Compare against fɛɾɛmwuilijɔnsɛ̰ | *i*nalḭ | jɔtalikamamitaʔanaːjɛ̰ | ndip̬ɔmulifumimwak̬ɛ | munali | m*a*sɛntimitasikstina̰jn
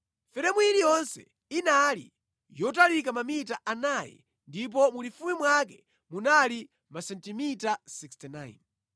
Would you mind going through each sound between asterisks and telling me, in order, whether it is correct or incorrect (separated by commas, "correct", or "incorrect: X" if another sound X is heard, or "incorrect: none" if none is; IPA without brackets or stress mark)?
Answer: correct, correct